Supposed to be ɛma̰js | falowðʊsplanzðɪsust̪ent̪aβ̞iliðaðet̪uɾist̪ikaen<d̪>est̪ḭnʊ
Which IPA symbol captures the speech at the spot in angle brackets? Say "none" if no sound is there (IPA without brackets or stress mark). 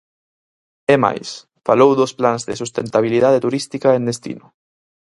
d̪